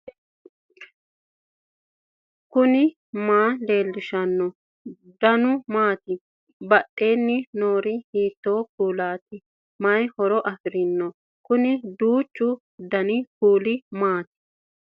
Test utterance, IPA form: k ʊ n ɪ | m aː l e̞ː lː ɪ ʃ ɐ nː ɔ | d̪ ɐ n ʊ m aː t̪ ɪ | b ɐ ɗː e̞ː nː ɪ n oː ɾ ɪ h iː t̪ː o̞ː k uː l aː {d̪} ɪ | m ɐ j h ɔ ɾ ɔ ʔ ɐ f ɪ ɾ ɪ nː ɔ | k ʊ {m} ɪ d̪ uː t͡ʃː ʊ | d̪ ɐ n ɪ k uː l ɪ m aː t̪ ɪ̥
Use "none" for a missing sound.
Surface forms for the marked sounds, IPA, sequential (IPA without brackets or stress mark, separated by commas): t̪, n